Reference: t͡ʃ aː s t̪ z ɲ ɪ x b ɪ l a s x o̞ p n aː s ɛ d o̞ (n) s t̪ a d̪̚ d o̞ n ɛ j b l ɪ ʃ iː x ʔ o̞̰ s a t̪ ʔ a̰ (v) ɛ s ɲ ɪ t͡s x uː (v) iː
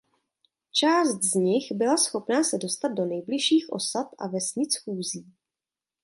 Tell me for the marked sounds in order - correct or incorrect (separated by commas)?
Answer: incorrect, correct, incorrect